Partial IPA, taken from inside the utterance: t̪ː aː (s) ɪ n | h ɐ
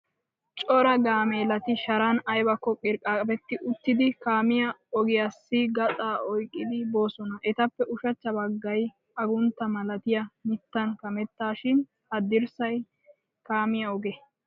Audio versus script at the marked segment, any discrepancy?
yes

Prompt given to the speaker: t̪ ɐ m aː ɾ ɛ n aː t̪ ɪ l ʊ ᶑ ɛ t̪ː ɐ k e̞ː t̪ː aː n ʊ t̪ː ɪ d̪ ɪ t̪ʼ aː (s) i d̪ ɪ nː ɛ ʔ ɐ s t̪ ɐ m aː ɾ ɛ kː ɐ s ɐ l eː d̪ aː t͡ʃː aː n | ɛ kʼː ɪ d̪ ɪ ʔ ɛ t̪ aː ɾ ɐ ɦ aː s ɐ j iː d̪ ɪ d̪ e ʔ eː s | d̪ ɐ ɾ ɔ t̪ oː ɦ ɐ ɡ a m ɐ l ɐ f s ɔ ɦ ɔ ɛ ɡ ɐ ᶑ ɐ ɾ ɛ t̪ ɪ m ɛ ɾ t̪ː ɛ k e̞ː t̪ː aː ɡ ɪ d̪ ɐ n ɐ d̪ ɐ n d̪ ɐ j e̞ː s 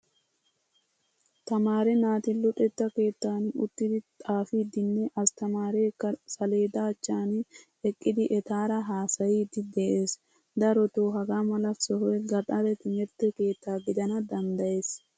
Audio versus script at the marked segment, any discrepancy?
yes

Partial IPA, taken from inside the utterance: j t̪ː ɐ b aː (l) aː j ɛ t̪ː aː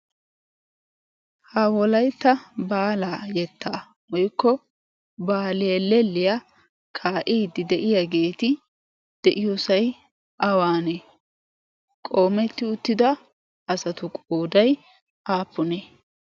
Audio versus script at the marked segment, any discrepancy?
no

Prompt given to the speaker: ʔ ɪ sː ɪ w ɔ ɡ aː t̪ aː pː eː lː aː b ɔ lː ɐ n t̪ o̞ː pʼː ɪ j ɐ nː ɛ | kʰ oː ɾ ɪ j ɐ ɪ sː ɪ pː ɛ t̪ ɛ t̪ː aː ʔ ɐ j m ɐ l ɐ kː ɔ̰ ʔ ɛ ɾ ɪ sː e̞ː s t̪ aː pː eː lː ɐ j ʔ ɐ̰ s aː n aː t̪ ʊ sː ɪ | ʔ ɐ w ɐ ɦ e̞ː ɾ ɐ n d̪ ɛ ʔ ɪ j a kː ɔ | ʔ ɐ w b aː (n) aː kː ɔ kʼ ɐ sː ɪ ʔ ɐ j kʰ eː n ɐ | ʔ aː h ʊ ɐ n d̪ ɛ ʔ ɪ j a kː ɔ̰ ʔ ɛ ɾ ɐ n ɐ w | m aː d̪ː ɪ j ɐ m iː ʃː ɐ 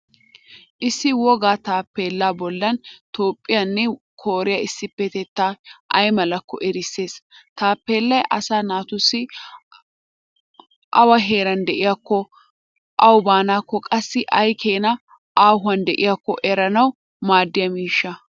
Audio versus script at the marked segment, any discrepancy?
no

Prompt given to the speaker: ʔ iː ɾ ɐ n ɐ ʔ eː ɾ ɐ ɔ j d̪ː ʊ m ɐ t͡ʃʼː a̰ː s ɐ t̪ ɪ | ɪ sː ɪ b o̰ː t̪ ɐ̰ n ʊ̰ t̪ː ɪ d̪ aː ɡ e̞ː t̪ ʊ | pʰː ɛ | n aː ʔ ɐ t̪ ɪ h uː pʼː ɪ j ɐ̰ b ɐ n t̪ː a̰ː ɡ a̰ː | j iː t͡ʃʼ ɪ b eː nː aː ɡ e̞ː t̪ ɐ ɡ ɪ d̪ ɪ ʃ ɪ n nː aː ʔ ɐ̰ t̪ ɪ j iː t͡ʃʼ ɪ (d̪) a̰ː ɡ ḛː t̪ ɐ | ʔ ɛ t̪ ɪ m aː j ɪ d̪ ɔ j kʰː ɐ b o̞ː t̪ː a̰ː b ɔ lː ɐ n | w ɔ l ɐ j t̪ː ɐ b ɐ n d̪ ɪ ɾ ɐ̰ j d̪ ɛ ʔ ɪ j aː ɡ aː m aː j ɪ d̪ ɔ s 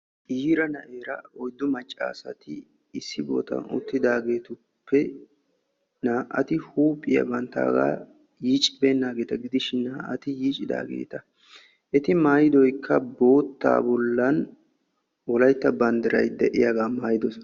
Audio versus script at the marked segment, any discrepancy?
no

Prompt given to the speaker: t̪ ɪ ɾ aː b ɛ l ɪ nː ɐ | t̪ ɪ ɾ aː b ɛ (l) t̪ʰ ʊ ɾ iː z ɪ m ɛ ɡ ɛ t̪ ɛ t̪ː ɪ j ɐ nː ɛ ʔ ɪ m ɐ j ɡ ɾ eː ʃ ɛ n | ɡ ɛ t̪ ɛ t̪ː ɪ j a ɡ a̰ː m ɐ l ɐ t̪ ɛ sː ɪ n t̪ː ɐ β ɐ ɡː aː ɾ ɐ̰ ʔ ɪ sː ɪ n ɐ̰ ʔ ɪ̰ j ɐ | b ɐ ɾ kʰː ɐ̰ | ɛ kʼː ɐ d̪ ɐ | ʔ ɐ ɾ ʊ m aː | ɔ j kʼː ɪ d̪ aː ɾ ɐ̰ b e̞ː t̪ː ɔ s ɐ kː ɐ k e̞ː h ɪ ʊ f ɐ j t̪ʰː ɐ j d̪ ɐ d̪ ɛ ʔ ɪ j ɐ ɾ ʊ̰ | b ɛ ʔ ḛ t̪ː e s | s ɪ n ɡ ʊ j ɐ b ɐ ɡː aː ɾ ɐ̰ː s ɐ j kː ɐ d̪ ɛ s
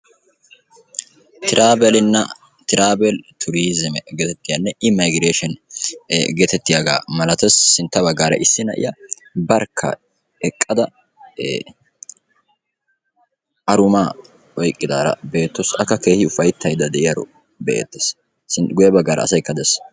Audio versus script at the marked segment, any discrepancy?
no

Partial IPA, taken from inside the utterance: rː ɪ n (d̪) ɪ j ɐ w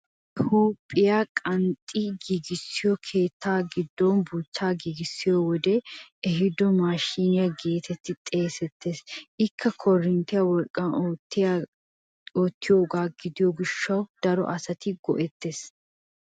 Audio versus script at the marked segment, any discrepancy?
yes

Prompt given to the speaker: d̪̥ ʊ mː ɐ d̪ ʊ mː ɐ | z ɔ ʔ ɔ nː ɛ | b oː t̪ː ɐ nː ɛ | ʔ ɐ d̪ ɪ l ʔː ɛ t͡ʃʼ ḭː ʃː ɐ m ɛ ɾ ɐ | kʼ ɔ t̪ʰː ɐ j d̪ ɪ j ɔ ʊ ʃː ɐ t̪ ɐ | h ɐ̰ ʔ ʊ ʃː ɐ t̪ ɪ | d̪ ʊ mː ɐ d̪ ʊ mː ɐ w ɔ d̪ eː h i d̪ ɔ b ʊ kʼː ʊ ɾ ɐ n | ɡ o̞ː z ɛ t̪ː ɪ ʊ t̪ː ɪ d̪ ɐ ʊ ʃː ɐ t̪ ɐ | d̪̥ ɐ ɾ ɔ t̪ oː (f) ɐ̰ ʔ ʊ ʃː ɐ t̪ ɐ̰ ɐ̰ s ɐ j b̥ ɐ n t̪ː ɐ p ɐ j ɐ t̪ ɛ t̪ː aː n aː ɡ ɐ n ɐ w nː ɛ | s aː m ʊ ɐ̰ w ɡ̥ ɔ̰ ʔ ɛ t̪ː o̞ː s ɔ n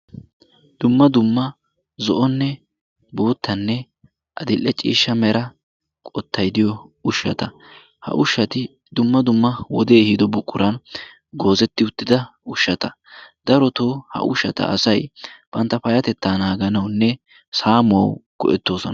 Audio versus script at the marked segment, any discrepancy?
yes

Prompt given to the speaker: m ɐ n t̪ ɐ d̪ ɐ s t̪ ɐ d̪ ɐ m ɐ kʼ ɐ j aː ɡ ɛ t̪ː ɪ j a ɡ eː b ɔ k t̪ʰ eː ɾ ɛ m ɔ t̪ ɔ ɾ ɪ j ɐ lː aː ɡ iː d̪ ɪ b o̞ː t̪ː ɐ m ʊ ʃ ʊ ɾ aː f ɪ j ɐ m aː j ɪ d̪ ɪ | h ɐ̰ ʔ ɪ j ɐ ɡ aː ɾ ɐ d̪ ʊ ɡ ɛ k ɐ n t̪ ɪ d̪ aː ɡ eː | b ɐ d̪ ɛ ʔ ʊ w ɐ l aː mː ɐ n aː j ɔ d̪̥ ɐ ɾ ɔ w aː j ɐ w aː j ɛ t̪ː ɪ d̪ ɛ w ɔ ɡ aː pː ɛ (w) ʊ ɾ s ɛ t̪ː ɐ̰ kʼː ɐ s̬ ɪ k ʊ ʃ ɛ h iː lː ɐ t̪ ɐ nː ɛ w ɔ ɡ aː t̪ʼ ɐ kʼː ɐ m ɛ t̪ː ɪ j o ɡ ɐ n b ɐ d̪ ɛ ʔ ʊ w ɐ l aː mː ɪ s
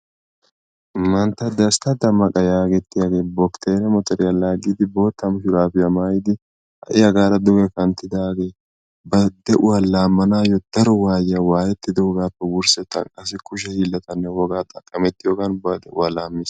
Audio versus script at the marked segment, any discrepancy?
no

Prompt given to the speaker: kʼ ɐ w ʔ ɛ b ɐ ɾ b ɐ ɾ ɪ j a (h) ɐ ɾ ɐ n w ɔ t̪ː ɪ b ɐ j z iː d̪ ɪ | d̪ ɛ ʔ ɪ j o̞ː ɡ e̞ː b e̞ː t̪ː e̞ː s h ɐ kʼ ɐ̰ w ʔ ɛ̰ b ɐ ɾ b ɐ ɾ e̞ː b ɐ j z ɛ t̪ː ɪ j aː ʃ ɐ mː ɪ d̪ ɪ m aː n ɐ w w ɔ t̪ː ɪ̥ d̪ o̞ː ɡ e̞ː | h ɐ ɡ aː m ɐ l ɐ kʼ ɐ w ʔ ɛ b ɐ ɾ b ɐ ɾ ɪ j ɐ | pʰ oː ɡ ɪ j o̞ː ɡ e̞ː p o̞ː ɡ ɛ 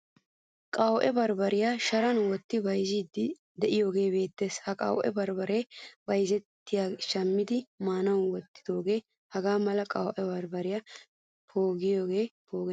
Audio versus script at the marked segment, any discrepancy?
yes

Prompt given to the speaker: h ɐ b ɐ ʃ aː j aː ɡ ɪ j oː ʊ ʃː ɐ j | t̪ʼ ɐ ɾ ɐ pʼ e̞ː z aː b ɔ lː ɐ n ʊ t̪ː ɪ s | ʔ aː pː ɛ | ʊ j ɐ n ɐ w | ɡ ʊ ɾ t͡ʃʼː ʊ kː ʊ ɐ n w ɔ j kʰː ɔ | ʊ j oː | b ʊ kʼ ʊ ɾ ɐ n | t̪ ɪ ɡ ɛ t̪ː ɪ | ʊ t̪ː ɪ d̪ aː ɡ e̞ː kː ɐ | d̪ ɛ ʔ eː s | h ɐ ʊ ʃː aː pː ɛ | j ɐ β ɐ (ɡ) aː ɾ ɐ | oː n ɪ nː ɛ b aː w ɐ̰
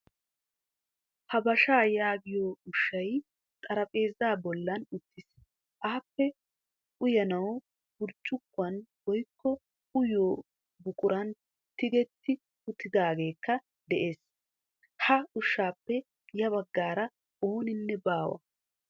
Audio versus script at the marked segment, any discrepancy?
yes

